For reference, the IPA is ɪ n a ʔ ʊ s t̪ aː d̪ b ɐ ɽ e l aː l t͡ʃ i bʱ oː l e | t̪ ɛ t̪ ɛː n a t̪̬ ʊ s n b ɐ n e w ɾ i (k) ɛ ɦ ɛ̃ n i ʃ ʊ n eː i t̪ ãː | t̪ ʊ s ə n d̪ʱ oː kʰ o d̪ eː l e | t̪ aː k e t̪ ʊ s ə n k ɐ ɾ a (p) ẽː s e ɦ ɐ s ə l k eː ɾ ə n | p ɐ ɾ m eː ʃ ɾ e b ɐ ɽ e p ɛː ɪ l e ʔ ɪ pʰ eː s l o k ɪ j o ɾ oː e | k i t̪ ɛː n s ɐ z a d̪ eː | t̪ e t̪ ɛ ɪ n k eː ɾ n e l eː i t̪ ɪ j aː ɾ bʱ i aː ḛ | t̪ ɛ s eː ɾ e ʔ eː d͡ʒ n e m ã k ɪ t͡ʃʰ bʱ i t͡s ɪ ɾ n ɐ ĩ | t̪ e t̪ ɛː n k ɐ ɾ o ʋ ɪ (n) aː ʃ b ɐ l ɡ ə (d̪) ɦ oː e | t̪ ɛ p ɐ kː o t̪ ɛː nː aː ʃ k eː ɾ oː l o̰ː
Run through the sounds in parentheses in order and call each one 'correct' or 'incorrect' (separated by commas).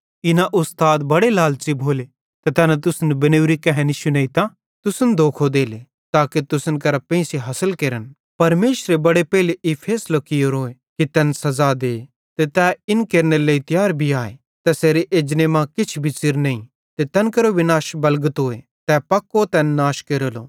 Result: correct, correct, correct, incorrect